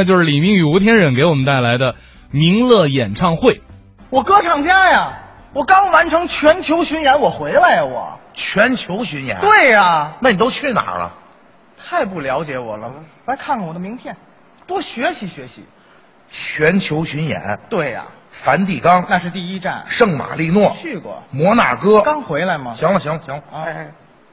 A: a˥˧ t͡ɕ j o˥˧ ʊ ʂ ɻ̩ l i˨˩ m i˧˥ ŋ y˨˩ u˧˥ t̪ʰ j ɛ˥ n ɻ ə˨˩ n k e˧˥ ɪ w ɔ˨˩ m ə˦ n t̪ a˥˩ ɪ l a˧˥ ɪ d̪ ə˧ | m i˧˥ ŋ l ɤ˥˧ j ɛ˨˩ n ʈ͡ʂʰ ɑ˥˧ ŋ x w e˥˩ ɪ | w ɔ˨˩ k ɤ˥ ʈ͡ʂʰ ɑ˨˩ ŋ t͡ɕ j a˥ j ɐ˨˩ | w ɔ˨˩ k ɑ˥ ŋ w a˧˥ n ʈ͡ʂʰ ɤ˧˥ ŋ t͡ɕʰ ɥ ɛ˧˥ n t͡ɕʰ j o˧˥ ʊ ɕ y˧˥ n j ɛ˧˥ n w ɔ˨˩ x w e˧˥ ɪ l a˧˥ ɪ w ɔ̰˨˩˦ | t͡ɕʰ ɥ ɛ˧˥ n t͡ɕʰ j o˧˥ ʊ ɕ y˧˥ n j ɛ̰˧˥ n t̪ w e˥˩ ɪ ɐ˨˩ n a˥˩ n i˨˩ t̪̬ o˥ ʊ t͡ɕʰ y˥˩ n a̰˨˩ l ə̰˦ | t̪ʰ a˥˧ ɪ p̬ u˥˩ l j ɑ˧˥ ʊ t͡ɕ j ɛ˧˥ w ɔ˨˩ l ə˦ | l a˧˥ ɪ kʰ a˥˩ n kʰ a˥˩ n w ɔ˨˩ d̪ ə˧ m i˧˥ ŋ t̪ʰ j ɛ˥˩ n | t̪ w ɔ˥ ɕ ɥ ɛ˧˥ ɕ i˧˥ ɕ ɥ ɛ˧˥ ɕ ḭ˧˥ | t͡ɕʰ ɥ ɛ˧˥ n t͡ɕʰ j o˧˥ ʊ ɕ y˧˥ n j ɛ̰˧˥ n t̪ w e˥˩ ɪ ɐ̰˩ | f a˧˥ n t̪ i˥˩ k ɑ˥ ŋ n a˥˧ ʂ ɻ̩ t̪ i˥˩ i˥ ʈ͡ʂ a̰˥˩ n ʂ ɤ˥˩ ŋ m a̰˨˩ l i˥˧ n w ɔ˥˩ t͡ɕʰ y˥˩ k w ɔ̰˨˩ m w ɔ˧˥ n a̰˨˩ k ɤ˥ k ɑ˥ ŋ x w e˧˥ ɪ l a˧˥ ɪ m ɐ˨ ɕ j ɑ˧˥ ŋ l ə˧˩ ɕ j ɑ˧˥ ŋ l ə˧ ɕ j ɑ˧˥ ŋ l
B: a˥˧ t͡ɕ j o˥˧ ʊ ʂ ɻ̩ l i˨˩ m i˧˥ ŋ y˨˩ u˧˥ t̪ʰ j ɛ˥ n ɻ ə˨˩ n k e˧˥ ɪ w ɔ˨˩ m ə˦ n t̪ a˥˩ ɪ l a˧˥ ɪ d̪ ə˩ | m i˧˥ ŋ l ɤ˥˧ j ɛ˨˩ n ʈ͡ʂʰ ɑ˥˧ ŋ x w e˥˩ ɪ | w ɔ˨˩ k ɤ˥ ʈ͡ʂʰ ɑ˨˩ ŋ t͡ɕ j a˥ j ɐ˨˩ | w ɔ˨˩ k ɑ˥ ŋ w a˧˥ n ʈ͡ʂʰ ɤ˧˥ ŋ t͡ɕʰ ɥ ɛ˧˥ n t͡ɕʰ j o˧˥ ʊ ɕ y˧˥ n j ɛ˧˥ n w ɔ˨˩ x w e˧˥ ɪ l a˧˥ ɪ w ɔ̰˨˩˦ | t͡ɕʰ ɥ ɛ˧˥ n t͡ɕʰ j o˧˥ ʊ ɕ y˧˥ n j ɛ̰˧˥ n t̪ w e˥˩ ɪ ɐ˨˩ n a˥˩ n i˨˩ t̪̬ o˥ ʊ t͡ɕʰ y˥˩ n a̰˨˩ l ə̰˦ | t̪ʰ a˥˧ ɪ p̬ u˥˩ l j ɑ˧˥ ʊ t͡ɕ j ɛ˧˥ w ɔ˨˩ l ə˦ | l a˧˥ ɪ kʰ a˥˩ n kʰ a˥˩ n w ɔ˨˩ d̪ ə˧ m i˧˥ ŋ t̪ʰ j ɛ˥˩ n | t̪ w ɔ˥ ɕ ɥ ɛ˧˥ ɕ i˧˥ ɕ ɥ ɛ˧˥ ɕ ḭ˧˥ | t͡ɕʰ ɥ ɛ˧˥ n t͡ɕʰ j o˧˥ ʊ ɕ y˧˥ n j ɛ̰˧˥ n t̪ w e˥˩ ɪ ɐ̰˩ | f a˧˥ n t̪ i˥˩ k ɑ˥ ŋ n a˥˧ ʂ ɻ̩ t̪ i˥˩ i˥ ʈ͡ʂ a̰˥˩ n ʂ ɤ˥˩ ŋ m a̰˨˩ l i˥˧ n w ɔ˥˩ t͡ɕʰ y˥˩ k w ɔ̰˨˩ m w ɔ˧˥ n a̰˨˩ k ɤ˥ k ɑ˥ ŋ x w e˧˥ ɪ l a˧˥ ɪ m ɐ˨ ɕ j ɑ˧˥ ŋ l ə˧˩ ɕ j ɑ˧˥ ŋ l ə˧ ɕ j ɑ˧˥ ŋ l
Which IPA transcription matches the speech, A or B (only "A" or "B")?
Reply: A